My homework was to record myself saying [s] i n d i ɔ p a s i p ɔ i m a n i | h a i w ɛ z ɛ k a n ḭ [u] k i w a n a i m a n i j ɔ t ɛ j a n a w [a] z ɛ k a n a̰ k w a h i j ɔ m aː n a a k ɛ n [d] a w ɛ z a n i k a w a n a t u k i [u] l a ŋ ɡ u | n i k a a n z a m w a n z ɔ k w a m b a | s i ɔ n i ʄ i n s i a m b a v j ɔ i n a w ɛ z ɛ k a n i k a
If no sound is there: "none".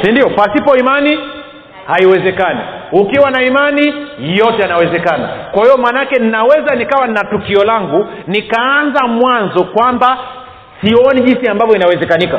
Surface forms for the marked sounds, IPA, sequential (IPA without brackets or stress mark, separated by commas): s, u, ɛ, n, ɔ